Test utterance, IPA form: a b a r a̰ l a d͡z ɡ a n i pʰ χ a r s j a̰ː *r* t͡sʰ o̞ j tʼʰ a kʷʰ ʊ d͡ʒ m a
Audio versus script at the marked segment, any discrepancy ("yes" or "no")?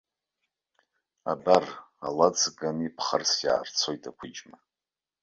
no